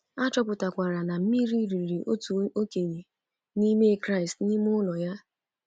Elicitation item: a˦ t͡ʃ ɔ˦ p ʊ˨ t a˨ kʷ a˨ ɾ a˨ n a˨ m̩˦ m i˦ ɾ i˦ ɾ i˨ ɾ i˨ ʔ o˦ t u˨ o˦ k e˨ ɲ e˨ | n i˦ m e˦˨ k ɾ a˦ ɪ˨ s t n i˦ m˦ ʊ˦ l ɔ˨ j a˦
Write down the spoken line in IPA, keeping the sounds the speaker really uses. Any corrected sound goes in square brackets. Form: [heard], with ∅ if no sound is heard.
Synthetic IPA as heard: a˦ t͡ʃ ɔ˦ p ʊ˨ t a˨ kʷ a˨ ɾ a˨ n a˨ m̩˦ m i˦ ɾ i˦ ɾ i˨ ɾ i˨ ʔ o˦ t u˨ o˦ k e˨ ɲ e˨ | n i˦ m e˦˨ k ɾ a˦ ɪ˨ s t n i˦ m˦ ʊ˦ l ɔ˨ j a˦